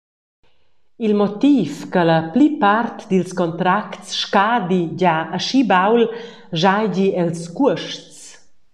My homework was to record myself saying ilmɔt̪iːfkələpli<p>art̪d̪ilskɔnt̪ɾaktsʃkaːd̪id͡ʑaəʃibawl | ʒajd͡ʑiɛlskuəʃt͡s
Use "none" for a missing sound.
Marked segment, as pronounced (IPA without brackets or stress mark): p